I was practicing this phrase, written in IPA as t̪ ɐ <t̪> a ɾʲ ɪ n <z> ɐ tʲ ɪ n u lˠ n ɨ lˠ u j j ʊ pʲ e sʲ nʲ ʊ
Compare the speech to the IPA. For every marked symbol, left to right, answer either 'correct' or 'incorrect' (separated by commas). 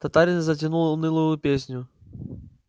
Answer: correct, correct